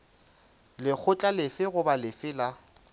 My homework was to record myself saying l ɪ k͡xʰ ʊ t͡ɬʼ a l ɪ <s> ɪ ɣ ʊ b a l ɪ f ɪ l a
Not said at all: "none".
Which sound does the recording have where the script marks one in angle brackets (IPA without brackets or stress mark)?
f